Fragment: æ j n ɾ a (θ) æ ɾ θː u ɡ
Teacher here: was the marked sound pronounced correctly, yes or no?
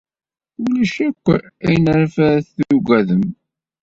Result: no